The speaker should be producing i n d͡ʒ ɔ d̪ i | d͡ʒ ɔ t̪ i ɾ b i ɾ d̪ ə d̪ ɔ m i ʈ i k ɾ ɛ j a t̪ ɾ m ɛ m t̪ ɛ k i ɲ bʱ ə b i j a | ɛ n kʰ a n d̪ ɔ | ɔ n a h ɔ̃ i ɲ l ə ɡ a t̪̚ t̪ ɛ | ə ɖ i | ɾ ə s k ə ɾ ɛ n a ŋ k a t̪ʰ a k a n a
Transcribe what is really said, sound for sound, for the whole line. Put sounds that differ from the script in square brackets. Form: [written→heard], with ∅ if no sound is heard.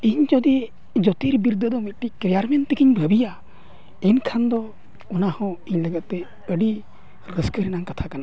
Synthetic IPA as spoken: i [n→ɲ] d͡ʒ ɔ d̪ i | d͡ʒ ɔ t̪ i ɾ b i ɾ d̪ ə d̪ ɔ m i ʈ i k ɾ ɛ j a [t̪→∅] ɾ m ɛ [m→n] t̪ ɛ k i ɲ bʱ ə b i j a | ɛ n kʰ a n d̪ ɔ | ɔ n a h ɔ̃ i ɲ l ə ɡ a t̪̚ t̪ ɛ | ə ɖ i | ɾ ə s k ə ɾ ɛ n a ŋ k a t̪ʰ a k a n a

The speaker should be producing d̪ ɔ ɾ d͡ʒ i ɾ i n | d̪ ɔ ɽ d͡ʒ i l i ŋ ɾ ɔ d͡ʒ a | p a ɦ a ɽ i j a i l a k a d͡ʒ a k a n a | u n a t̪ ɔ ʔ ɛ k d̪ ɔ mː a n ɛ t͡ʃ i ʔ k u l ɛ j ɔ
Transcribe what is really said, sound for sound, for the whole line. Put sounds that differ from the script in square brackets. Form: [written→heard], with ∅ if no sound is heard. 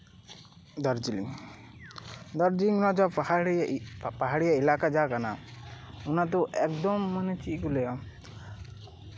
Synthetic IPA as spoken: d̪ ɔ ɾ d͡ʒ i [ɾ→l] i [n→ŋ] | d̪ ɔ [ɽ→ɾ] d͡ʒ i l i ŋ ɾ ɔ d͡ʒ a | p a ɦ a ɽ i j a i l a k a d͡ʒ a k a n a | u n a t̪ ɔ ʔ ɛ k d̪ ɔ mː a n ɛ t͡ʃ i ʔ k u l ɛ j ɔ

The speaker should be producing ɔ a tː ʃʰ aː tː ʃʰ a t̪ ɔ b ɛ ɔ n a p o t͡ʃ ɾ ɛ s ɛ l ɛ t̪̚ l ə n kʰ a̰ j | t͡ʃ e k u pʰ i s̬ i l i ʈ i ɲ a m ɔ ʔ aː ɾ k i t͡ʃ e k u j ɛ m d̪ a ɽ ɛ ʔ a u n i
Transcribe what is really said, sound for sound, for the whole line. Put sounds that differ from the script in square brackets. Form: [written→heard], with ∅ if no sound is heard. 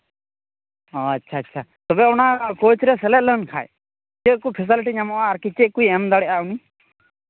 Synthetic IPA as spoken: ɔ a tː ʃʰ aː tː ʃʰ a t̪ ɔ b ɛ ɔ n a [p→k] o t͡ʃ ɾ ɛ s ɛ l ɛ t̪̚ l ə n kʰ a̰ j | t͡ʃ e k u pʰ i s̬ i l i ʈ i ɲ a m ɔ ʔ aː ɾ k i t͡ʃ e k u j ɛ m d̪ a ɽ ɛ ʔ a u n i

